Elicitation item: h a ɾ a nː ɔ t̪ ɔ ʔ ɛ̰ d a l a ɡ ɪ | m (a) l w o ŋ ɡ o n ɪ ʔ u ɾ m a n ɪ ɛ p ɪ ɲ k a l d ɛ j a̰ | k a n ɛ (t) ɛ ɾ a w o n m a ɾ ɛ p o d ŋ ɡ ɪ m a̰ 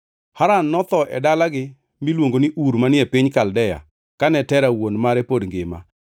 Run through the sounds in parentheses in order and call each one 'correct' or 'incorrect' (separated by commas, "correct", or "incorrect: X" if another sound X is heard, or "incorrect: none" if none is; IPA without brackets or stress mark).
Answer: incorrect: i, correct